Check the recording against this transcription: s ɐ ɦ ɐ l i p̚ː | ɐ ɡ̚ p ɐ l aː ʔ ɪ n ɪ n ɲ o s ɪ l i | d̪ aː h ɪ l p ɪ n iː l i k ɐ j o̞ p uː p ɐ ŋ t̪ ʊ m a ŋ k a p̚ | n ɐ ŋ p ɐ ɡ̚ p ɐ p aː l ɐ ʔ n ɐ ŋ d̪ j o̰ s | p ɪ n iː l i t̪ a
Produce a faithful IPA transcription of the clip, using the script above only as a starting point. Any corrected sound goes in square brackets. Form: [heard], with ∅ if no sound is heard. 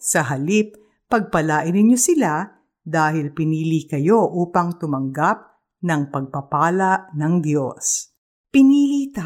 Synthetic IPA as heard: s ɐ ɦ ɐ l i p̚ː | ɐ ɡ̚ p ɐ l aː ʔ ɪ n ɪ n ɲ o s ɪ l [a] | d̪ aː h ɪ l p ɪ n iː l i k ɐ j o̞ [ʔ] uː p ɐ ŋ t̪ ʊ m [ɐ] ŋ [ɡ] a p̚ | n ɐ ŋ p ɐ ɡ̚ p ɐ p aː l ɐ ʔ n ɐ ŋ d̪ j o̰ s | p ɪ n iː l i t̪ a